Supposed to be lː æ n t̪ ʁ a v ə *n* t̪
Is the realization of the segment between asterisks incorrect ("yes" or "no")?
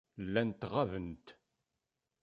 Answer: no